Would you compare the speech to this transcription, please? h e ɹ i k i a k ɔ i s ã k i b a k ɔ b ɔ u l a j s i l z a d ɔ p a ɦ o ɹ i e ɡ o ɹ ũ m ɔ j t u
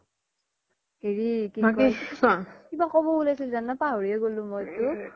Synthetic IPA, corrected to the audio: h e ɹ i k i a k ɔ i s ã k i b a k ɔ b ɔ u l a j s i l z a n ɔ p a ɦ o ɹ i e ɡ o l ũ m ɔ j t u

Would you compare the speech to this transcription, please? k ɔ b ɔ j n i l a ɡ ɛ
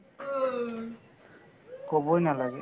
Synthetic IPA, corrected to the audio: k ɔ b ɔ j n a l a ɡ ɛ

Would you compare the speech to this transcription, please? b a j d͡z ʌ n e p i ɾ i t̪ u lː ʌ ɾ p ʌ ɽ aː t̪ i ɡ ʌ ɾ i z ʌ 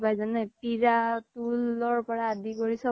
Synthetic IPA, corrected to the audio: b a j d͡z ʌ n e p i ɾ a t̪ u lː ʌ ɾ p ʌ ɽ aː d̪ i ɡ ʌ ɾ i s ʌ

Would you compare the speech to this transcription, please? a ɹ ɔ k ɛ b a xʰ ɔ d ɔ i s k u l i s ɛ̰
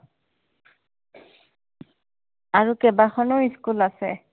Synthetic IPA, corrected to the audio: a ɹ u k ɛ b a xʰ ɔ n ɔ i s k u l a s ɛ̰

